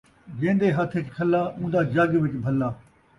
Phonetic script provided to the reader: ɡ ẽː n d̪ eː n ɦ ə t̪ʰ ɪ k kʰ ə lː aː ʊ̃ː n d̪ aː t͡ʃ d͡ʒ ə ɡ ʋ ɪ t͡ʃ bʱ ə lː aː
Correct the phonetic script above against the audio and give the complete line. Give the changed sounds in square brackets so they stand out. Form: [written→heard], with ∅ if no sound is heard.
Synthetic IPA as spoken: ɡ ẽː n d̪ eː [n→∅] ɦ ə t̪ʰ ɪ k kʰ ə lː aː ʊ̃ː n d̪ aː [t͡ʃ→∅] d͡ʒ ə ɡ ʋ ɪ t͡ʃ bʱ ə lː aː